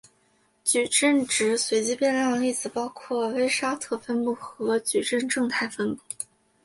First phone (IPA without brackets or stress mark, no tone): t͡ɕ